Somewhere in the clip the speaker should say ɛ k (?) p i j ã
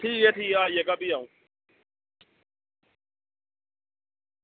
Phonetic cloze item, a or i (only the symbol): a